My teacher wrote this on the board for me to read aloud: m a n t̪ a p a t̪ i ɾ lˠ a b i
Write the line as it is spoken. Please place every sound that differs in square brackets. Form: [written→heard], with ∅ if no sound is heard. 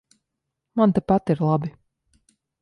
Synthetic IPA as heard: m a n t̪ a p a t̪ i ɾ lˠ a b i